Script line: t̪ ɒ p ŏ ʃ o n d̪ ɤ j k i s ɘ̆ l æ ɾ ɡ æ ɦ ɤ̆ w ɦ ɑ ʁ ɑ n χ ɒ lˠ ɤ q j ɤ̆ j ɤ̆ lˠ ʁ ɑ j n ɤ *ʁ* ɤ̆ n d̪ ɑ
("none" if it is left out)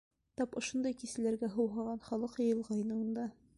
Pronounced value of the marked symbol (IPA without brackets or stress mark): none